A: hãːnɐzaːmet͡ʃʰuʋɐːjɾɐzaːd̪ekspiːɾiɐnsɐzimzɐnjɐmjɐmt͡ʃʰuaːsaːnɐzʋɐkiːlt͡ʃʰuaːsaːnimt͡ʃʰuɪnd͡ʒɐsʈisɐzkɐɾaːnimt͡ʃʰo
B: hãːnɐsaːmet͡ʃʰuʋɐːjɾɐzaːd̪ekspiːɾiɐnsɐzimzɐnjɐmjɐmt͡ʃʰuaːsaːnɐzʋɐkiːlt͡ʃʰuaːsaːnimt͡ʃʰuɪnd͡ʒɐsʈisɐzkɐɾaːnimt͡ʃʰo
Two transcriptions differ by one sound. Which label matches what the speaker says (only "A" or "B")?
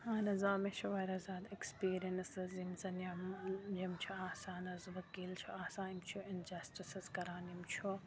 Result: A